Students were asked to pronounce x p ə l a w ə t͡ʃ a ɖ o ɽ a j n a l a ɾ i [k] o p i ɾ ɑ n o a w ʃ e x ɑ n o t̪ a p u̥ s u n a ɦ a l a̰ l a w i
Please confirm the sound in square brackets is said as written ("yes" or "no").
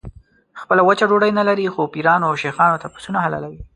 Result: no